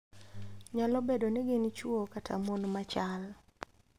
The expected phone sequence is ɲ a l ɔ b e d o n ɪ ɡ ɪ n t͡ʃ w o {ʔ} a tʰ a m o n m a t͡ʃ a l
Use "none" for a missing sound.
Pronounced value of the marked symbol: k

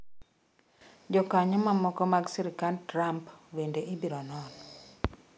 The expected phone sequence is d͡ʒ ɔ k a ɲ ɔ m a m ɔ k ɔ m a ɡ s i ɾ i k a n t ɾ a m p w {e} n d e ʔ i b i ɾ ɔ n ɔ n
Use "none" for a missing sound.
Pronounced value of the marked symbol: e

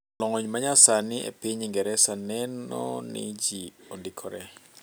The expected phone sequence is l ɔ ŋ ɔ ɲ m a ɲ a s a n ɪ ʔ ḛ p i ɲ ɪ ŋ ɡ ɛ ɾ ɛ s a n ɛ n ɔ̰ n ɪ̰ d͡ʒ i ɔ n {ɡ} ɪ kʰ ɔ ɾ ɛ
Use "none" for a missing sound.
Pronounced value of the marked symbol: d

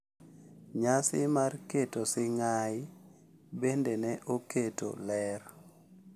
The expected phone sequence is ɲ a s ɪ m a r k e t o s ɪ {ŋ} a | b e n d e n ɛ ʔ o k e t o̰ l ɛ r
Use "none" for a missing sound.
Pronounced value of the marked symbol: ŋ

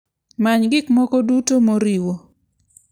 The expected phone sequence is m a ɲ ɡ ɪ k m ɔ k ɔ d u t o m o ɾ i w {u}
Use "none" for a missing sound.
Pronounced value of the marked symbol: o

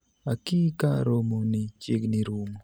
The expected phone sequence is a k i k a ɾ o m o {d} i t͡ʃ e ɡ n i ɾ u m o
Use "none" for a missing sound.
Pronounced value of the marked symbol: n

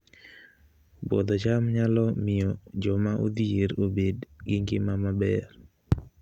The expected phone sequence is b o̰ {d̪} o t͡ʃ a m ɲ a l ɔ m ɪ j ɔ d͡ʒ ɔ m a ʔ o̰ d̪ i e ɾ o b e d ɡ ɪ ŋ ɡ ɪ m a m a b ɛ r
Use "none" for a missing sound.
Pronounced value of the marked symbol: d̪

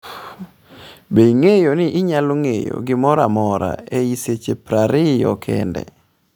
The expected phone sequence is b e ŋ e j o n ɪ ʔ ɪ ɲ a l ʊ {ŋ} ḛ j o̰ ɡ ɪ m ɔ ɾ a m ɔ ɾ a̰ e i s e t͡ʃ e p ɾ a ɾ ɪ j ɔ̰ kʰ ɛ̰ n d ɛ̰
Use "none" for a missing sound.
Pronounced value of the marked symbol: ŋ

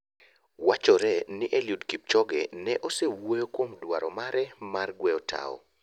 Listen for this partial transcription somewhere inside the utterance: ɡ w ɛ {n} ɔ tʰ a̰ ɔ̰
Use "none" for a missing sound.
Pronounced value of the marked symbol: none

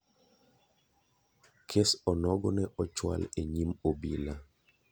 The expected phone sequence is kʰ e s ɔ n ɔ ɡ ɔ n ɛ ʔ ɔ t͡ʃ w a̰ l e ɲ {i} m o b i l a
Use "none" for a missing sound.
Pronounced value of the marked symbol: i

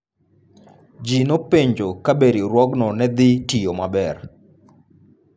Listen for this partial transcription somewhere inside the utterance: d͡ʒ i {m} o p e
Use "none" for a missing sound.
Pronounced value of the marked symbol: n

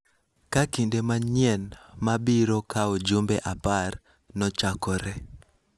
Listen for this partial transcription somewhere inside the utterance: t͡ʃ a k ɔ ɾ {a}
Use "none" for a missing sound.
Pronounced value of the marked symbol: ɛ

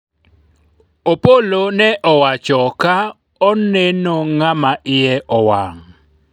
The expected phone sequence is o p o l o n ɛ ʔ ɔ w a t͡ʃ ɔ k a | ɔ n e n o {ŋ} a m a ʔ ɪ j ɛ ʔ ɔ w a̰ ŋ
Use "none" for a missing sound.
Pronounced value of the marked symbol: ŋ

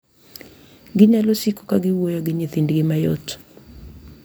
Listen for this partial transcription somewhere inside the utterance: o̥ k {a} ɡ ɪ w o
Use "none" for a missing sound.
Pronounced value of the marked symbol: a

